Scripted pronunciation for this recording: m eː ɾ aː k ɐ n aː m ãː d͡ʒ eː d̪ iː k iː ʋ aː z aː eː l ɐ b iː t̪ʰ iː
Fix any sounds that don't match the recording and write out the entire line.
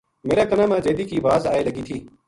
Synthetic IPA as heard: m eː ɾ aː k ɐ n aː m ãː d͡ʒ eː d̪ iː k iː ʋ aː z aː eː l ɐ ɡ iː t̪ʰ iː